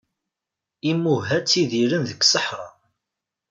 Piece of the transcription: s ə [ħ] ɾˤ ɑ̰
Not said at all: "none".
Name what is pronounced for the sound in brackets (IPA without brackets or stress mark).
ħ